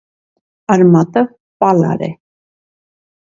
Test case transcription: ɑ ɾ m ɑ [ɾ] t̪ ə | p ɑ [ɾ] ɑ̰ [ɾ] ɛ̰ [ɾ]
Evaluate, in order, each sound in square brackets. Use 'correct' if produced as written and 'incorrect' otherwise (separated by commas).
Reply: incorrect, incorrect, correct, incorrect